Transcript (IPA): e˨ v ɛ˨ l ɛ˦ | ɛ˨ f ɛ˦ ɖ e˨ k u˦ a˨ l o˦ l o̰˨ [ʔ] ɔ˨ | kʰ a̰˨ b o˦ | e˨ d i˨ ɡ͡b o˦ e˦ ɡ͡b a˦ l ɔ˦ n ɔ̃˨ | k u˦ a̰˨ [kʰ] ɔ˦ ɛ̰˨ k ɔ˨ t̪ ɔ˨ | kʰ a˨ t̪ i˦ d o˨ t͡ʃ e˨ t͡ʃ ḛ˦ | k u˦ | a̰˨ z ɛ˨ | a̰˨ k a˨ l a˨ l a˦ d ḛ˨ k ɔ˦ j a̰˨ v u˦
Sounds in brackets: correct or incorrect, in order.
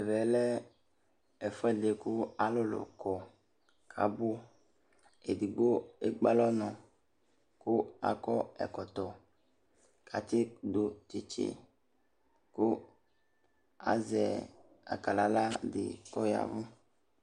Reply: incorrect, incorrect

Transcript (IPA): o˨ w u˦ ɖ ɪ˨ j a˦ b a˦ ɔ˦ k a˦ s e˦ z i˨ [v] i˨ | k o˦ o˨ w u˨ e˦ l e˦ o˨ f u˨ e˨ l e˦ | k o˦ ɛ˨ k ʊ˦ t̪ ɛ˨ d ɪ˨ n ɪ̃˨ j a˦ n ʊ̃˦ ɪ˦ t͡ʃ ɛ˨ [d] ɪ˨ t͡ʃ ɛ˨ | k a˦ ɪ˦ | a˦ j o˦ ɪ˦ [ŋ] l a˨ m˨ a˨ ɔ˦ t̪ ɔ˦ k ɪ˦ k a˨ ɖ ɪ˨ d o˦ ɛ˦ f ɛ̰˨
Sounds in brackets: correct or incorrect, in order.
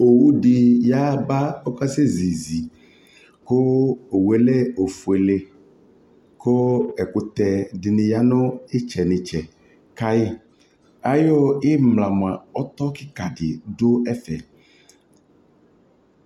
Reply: incorrect, incorrect, incorrect

